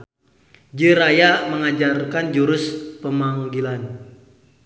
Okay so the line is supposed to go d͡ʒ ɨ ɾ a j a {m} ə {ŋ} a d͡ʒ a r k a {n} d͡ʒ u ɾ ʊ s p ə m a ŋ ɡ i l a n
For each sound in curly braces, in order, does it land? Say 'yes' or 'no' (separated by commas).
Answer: yes, yes, yes